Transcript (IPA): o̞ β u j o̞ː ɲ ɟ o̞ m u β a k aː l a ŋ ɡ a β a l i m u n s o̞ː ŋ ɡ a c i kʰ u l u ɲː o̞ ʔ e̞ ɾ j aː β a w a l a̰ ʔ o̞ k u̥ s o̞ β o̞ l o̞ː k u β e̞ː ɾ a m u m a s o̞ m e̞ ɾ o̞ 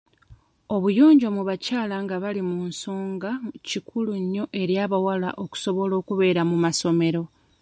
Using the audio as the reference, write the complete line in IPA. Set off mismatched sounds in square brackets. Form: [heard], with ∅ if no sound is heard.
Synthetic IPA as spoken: o̞ β u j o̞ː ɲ ɟ o̞ m u β a [c] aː l a ŋ ɡ a β a l i m u n s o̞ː ŋ ɡ a c i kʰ u l u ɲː o̞ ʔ e̞ ɾ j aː β a w a l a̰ ʔ o̞ k u̥ s o̞ β o̞ l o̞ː k u β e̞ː ɾ a m u m a s o̞ m e̞ ɾ o̞